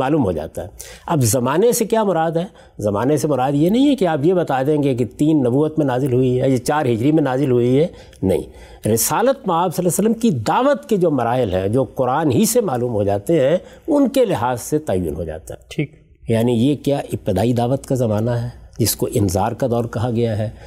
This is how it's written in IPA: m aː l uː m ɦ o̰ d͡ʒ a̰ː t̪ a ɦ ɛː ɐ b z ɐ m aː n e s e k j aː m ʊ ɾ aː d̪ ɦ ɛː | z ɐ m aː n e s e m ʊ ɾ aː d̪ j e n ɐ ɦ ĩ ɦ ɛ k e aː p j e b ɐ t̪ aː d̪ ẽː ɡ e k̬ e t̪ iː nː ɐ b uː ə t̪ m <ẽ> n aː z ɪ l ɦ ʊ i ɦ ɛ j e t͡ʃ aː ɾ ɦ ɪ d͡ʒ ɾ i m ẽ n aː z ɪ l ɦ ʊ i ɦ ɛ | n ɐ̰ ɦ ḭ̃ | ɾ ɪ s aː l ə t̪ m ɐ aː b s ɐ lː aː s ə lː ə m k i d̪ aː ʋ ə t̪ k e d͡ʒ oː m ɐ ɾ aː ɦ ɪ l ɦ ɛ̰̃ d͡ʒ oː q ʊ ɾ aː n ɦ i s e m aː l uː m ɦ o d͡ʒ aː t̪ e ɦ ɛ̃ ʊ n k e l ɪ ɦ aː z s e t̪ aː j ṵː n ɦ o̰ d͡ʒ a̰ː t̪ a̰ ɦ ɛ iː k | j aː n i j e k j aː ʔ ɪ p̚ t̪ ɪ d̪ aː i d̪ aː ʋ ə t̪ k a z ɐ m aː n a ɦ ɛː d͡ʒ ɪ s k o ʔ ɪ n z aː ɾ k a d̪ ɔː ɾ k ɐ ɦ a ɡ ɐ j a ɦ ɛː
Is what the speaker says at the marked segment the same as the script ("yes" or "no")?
yes